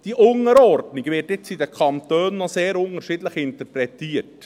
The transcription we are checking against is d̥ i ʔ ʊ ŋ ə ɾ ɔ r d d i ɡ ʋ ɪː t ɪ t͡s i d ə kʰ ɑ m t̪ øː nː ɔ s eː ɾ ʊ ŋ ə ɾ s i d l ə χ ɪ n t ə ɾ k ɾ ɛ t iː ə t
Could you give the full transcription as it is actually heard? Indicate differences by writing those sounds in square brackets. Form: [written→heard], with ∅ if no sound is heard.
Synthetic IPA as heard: d̥ i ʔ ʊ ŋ ə ɾ ɔ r d [d→n] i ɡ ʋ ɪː t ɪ t͡s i d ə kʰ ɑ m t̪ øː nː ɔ s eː ɾ ʊ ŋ ə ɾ [s→ʃ] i d l ə χ ɪ n t ə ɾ [k→p] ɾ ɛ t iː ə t